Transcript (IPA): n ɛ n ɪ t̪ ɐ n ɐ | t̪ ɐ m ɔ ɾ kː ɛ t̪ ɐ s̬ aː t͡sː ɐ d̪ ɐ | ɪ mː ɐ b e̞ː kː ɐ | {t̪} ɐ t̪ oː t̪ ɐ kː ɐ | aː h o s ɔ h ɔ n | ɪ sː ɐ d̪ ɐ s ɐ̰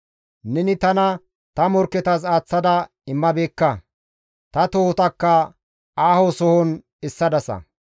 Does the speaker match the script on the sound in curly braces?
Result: yes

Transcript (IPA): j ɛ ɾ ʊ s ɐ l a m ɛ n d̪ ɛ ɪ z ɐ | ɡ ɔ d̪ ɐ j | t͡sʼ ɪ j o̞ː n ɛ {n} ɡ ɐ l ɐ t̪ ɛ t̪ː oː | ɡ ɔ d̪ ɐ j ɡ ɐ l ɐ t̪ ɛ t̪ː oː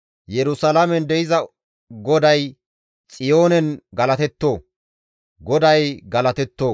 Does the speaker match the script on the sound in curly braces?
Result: yes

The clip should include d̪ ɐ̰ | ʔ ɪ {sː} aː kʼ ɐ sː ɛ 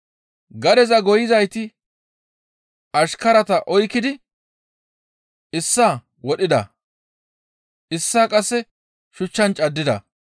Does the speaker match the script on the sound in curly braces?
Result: yes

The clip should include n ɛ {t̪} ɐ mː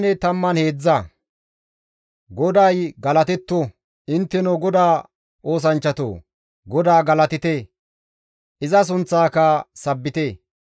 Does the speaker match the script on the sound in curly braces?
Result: yes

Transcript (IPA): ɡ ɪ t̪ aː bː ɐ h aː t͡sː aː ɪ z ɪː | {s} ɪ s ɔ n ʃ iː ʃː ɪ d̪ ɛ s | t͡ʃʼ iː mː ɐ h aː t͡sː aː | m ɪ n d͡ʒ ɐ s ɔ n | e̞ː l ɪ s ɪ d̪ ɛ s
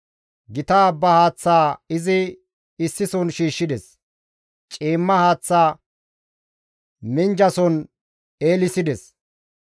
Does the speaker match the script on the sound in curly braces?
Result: no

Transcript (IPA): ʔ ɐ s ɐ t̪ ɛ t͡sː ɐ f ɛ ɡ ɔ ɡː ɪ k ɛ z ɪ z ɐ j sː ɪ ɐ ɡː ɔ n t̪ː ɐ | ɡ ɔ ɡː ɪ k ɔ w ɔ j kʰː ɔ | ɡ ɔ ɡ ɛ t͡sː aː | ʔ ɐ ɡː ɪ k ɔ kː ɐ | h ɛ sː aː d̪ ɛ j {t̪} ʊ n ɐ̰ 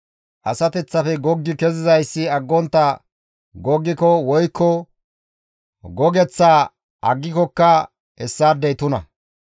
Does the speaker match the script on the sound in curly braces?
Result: yes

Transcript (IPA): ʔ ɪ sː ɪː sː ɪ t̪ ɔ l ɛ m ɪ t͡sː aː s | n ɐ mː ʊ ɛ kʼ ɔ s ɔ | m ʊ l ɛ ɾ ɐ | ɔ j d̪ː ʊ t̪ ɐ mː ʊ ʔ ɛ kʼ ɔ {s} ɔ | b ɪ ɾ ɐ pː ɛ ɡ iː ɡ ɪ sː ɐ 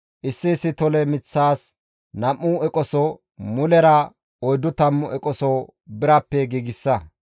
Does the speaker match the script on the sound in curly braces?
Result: yes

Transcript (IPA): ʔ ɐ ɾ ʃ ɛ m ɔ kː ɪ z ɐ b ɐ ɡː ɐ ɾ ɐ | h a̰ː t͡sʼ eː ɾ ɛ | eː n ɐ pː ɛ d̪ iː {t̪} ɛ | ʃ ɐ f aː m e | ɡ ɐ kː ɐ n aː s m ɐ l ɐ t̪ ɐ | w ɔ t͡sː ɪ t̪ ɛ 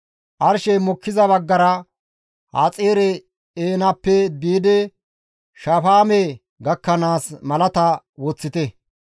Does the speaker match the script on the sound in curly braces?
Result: no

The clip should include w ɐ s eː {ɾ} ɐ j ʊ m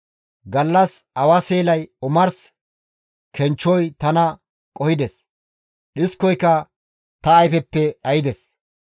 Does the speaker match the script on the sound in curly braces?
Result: no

